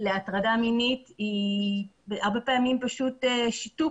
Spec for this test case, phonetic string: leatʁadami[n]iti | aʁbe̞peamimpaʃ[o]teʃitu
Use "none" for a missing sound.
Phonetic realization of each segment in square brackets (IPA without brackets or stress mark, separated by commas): n, u